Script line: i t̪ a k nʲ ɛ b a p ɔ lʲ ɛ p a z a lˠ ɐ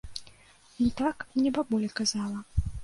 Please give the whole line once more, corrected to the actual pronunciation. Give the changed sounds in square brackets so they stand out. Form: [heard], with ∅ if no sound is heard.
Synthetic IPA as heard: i t̪ a k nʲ ɛ b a [b] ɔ lʲ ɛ [k] a z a lˠ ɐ